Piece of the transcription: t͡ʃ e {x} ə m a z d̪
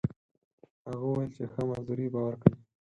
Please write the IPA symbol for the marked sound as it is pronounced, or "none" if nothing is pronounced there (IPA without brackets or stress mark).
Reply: x